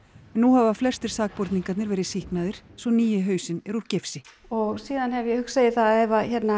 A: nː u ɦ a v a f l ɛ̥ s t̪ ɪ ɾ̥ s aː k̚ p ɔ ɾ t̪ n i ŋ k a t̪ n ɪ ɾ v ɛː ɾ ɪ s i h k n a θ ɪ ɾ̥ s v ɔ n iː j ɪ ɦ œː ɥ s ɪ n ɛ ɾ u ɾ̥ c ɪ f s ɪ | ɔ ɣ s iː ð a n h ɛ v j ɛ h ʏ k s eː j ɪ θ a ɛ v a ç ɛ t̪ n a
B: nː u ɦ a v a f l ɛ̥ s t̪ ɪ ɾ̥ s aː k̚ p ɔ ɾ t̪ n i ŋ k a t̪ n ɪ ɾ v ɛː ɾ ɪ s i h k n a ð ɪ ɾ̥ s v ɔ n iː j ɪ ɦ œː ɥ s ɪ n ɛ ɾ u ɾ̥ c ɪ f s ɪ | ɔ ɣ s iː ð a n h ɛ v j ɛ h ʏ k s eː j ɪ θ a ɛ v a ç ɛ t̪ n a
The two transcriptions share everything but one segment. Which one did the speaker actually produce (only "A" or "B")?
B